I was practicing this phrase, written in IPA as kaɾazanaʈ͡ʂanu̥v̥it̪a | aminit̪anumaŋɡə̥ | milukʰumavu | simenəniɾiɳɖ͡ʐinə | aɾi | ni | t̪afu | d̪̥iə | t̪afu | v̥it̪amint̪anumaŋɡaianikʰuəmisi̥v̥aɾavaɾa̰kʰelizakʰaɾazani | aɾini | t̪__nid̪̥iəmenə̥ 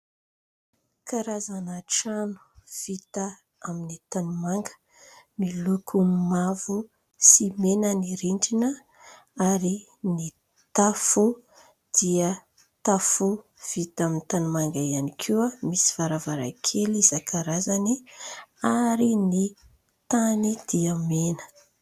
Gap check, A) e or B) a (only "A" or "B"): B